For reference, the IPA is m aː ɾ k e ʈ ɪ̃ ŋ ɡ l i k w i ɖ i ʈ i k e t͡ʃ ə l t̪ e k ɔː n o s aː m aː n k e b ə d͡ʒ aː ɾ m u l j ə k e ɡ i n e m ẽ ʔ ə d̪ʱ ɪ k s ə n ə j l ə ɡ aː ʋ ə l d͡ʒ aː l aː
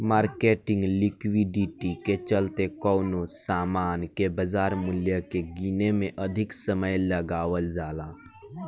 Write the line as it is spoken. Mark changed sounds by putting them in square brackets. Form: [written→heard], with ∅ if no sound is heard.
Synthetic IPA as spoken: m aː ɾ k e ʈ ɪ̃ ŋ ɡ l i k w i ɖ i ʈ i k e t͡ʃ ə l t̪ e k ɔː n o s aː m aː n k e b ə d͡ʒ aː ɾ m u l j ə k e ɡ i n e m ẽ ʔ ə d̪ʱ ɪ k s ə [n→m] ə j l ə ɡ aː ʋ ə l d͡ʒ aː l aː